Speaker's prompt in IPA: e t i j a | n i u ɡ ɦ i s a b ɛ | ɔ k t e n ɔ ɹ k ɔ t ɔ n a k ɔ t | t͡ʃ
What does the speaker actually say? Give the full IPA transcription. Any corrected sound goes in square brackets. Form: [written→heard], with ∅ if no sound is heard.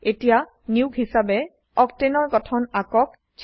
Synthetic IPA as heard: e t i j a | n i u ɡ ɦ i s a b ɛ | ɔ k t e n ɔ ɹ [k→ɡ] ɔ [t→tʰ] ɔ n a k ɔ [t→k] | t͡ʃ

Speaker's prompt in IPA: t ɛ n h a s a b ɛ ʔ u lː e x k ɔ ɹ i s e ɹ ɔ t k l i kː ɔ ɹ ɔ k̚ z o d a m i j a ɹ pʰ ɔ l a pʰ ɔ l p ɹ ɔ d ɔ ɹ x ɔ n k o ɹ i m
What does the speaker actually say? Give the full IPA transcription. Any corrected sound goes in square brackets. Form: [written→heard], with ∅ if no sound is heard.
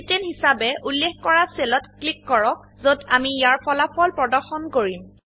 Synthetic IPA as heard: t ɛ n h [a→i] s a b ɛ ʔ u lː e x k ɔ ɹ [i→a] s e [ɹ→l] ɔ t k l i kː ɔ ɹ ɔ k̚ z o d a m i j a ɹ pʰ ɔ l a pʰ ɔ l p ɹ ɔ d ɔ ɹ x ɔ n k o ɹ i m

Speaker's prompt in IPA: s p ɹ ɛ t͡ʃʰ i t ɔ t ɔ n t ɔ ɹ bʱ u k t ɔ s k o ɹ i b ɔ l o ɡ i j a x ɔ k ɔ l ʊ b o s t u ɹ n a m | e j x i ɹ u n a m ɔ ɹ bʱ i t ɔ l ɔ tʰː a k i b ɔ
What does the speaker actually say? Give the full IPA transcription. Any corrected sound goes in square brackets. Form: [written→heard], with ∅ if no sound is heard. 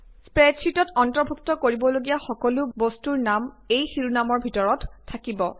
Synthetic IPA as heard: s p ɹ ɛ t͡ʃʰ i t ɔ t ɔ n t ɔ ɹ bʱ u k t ɔ [s→∅] k o ɹ i b ɔ l o ɡ i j a x ɔ k ɔ l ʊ b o s t u ɹ n a m | e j x i ɹ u n a m ɔ ɹ bʱ i t ɔ [l→ɹ] ɔ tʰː a k i b ɔ

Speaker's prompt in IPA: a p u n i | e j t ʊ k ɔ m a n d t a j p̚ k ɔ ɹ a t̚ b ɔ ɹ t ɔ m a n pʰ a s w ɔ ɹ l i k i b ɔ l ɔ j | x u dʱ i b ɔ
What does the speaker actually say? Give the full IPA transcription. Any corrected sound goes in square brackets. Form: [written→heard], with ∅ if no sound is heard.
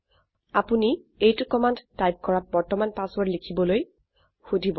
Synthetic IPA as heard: a p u n i | e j t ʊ k ɔ m a n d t a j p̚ k ɔ ɹ a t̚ b ɔ ɹ t ɔ m a n [pʰ→p] a s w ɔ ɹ l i [k→kʰ] i b ɔ l [ɔ→o] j | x u dʱ i b ɔ

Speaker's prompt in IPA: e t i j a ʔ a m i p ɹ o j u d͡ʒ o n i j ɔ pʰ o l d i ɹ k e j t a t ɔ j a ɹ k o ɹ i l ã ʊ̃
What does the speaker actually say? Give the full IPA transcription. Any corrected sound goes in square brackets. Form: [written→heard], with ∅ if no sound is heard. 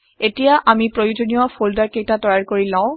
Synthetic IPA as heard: e t i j a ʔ a m i p ɹ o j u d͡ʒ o n i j ɔ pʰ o l d [i→a] ɹ k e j t a t ɔ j a ɹ k o ɹ i l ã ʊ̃

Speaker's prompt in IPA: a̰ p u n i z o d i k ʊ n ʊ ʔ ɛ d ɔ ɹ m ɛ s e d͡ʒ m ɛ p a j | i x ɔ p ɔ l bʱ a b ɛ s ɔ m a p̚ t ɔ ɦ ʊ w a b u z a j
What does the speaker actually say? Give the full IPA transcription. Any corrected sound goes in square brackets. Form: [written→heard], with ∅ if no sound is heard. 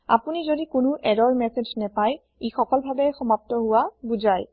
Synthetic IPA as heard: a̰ p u n i z o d i k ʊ n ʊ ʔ ɛ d ɔ ɹ m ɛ s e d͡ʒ [m→n] ɛ p a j | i x ɔ [p→k] ɔ l bʱ a b ɛ [s→x] ɔ m a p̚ t ɔ ɦ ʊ w a b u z a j

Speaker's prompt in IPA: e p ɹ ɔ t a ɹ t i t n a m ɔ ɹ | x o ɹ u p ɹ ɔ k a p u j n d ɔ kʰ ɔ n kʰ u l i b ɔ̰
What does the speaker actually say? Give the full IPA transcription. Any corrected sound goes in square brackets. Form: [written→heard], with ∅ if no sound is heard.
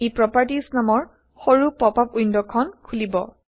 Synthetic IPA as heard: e p ɹ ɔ [t→p] a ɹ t i [t→s] n a m ɔ ɹ | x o ɹ u p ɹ ɔ [k→p] a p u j n d ɔ kʰ ɔ n kʰ u l i b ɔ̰

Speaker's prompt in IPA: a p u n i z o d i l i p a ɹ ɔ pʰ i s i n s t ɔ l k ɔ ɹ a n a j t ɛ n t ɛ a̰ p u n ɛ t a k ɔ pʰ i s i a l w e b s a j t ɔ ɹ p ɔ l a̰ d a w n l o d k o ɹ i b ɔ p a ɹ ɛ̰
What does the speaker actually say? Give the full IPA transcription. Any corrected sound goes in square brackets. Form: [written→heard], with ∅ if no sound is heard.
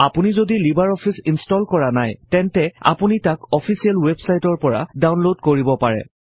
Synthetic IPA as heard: a p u n i z o d i l i [p→b] a ɹ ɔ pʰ i s i n s t ɔ l k ɔ ɹ a n a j t ɛ n t ɛ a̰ p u n [ɛ→i] t a k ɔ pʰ i s i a l w e b s a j t ɔ ɹ p ɔ [l→ɹ] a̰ d a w n l o d k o ɹ i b ɔ p a ɹ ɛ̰

